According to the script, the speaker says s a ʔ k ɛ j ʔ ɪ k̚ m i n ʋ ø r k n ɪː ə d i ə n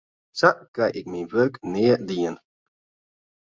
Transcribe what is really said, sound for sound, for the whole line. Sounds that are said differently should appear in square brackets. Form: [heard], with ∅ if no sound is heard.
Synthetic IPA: s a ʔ k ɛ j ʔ ɪ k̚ m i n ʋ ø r k n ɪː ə d i ə n